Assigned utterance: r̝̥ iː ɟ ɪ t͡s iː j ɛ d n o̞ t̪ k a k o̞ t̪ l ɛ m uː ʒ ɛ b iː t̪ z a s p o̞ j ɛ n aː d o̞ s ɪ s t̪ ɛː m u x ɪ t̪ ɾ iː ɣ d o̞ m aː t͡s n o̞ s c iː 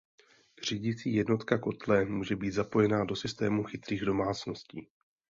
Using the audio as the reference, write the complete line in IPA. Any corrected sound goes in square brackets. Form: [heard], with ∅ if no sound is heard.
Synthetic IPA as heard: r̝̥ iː ɟ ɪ t͡s iː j ɛ d n o̞ t̪ k a k o̞ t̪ l ɛ m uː ʒ ɛ b iː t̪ z a [∅] p o̞ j ɛ n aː d o̞ s ɪ s t̪ ɛː m u x ɪ t̪ ɾ iː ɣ d o̞ m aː t͡s n o̞ s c iː